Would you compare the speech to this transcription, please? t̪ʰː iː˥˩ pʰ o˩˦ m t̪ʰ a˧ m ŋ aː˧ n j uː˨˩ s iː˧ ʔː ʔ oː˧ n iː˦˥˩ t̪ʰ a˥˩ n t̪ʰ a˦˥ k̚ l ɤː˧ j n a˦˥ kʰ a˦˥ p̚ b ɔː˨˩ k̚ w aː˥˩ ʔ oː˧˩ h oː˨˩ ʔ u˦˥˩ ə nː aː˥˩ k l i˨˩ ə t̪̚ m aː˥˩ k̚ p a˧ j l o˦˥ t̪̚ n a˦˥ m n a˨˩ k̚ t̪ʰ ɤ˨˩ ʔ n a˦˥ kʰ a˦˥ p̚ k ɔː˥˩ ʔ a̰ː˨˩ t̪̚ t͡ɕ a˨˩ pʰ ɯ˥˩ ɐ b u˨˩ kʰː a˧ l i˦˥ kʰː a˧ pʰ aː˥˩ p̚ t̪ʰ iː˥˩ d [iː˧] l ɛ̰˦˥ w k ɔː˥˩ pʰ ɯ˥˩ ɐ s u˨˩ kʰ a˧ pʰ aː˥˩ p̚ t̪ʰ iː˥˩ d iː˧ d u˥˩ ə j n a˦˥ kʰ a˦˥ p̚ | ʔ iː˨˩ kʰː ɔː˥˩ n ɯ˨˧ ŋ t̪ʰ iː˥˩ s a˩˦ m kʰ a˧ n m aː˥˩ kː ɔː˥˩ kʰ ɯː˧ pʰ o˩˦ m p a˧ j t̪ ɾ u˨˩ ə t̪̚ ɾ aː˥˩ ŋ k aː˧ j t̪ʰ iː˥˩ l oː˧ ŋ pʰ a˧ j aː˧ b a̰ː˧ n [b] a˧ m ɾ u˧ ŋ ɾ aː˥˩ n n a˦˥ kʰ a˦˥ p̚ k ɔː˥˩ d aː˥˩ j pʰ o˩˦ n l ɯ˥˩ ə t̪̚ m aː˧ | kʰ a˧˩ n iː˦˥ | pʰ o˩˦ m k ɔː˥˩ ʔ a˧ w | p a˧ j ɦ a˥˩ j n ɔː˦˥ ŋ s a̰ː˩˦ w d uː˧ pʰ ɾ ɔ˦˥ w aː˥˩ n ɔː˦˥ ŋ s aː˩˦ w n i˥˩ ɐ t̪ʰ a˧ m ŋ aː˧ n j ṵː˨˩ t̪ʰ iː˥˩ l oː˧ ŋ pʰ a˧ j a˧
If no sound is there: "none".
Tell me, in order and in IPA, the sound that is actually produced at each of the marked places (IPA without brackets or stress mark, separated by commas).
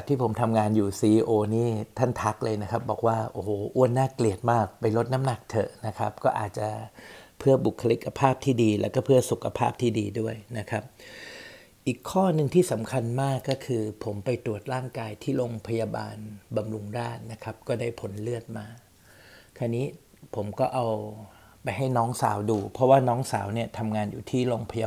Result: iː˧, b